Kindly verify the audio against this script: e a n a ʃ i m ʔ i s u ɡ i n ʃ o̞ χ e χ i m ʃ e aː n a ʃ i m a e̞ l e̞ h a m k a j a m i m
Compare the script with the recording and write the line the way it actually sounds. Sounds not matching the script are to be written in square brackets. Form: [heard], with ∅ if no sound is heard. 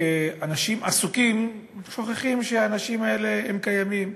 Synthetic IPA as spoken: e a n a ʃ i m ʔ [a] s u [k] i [m] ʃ o̞ χ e χ i m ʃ e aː n a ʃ i m a e̞ l e̞ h [e] m k a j a m i m